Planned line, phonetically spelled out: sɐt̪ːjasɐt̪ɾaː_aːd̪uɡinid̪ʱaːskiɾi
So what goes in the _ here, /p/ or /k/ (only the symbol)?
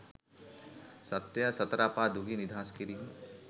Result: p